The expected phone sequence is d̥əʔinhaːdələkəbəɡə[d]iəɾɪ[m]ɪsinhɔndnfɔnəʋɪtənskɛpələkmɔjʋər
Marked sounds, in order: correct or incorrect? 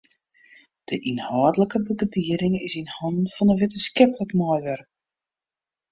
correct, incorrect

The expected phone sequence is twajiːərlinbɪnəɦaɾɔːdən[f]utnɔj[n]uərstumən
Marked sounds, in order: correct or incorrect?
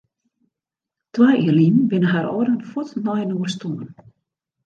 correct, correct

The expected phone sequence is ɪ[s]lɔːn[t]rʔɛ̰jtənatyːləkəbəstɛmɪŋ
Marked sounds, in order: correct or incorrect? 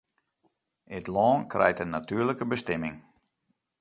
incorrect, incorrect

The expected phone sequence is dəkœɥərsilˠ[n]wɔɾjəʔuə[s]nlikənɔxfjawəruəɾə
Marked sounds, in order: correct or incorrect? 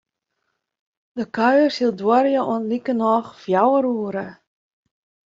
incorrect, incorrect

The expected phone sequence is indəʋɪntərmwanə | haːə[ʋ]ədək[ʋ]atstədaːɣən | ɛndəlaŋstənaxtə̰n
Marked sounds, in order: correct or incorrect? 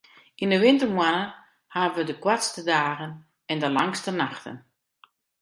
correct, incorrect

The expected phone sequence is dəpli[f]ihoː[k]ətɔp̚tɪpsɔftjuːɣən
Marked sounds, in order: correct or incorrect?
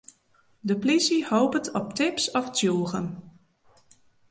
incorrect, incorrect

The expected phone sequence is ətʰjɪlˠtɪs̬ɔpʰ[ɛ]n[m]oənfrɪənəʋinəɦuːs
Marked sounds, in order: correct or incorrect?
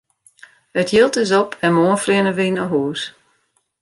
correct, correct

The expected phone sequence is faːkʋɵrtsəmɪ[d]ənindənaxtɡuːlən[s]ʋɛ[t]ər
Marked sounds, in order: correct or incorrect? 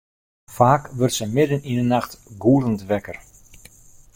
correct, incorrect, incorrect

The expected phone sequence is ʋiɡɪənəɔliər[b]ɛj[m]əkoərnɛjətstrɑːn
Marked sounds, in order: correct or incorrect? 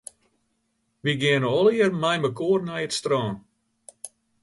incorrect, correct

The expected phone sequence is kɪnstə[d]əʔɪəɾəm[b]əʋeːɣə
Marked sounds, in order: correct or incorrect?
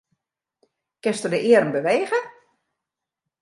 correct, correct

